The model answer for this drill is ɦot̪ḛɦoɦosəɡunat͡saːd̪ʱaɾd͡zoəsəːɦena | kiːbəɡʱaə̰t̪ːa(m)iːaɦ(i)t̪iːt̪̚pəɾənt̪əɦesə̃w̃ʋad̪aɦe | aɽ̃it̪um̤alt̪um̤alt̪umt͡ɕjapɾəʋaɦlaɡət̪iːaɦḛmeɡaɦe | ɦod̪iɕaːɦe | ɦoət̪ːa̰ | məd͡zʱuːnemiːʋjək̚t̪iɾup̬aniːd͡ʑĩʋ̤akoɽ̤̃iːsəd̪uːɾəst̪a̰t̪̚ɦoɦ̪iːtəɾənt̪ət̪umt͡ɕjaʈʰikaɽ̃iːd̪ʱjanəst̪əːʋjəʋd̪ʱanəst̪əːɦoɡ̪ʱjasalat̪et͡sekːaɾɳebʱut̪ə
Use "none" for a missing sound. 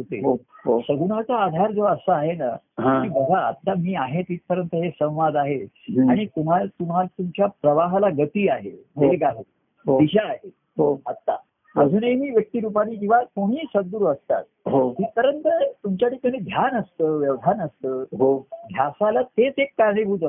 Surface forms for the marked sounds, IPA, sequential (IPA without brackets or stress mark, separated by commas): m, e